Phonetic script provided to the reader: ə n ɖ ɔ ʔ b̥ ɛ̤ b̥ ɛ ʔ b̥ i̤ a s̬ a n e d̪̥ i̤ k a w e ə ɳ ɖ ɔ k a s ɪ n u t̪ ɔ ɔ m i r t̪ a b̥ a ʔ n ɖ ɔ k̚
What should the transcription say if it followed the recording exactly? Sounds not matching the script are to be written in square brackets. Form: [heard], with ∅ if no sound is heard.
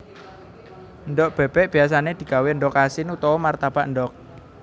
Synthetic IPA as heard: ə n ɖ ɔ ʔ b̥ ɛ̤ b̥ ɛ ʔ b̥ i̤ a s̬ a n e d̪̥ i̤ k a w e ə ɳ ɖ ɔ k a s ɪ n u t̪ ɔ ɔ m [a] r t̪ a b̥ a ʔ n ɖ ɔ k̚